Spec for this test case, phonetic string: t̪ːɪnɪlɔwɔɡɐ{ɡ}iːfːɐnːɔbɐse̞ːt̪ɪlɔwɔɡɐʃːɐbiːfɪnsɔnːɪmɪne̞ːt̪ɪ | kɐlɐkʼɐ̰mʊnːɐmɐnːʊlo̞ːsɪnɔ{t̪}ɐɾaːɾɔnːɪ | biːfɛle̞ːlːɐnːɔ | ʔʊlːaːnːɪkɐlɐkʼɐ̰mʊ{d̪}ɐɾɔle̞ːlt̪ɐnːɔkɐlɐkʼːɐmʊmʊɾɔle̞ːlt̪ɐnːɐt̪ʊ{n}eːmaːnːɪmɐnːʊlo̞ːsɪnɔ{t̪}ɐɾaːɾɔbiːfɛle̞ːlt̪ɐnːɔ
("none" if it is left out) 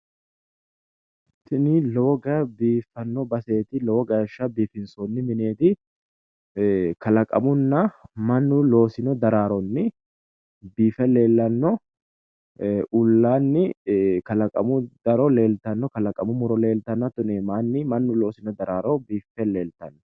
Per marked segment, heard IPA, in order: b, d̪, d̪, n, d̪

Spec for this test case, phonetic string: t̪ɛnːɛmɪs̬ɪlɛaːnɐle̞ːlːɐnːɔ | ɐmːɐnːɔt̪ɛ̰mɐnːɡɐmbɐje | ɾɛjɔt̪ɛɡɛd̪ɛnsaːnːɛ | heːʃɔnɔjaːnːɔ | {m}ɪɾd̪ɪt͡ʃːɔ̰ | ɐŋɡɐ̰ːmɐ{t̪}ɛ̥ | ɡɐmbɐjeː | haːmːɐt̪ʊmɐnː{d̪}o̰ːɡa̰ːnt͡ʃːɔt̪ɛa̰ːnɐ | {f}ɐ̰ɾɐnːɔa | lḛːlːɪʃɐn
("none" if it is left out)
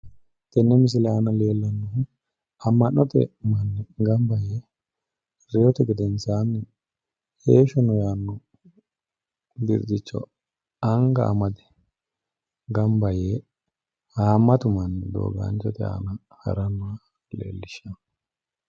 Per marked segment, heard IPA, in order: b, d̪, d̪, h

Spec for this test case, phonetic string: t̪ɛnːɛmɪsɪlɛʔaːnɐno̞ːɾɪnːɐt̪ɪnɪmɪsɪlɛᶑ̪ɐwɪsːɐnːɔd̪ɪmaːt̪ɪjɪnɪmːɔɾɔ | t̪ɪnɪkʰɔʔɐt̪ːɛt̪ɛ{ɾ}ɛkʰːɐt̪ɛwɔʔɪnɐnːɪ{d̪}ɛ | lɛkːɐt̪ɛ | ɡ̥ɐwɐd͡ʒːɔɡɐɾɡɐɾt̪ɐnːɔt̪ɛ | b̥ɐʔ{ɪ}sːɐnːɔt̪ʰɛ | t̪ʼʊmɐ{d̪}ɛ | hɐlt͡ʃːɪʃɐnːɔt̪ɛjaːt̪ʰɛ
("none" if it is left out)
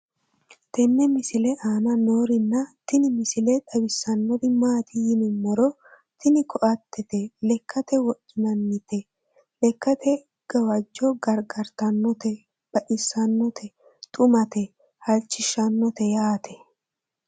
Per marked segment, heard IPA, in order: l, t̪, ɪ, t̪

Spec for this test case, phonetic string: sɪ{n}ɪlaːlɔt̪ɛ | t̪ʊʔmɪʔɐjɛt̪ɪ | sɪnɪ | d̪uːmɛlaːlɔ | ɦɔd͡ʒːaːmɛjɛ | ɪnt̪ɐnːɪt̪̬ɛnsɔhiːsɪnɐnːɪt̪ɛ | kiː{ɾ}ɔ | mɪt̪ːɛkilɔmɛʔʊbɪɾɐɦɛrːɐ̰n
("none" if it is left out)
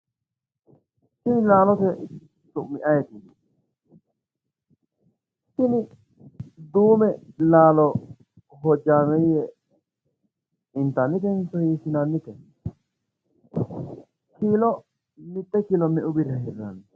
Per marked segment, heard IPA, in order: n, l

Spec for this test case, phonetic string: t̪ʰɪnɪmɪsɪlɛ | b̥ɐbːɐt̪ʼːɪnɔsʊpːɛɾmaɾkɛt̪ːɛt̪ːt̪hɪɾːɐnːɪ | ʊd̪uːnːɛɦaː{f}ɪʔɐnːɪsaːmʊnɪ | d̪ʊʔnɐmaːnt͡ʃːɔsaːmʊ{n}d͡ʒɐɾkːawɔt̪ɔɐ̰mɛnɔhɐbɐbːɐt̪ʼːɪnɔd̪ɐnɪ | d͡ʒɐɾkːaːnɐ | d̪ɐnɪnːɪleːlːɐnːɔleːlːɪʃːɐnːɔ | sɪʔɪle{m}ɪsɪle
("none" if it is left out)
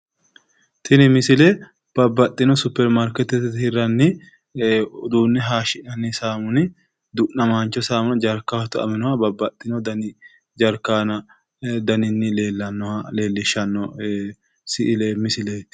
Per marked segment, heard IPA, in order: ʃ, n, m

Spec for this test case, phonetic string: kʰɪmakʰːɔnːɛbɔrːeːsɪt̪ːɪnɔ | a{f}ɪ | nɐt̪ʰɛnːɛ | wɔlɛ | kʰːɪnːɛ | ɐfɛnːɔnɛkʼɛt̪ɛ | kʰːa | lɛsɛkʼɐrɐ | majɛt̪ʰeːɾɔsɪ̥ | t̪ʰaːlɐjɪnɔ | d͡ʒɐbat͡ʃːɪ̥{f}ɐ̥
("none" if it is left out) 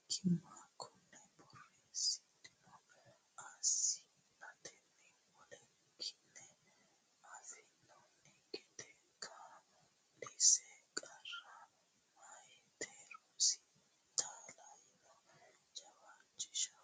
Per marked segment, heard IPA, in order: s, ʃ

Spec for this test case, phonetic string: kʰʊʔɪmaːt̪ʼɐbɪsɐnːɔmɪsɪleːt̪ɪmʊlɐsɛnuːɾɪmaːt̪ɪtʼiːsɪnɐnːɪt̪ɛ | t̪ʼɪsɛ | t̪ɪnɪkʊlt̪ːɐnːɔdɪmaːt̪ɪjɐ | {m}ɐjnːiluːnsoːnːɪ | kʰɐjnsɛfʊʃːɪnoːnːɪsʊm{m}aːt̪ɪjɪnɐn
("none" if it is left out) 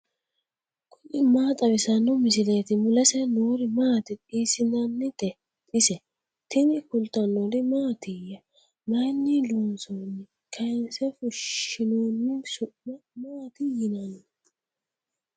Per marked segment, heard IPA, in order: m, m

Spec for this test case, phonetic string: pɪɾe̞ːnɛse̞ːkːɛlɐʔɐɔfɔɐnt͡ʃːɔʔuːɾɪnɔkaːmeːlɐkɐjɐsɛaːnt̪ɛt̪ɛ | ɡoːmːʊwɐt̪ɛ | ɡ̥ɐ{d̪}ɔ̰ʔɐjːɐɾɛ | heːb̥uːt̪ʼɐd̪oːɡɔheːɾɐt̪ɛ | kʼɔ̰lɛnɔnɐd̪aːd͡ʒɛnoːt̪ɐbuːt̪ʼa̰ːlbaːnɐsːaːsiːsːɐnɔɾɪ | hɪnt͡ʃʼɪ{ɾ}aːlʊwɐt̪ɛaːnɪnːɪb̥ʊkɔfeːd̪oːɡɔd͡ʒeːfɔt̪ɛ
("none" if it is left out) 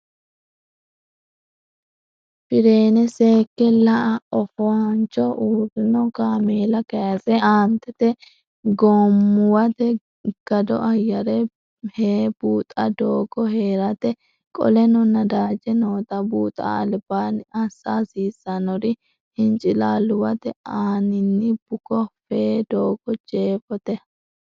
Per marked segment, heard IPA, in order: d̪, l

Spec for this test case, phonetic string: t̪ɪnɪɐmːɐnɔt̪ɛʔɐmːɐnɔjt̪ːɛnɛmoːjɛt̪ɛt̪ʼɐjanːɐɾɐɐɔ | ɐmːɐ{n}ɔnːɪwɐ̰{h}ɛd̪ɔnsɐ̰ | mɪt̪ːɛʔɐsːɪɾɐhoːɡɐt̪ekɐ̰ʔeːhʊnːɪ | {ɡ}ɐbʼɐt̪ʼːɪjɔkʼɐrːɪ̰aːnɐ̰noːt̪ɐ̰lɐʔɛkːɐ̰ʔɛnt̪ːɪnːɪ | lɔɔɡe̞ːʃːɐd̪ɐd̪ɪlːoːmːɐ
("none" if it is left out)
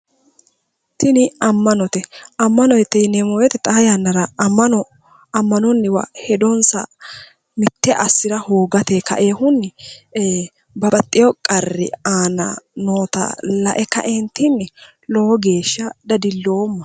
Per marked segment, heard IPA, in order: n, h, b

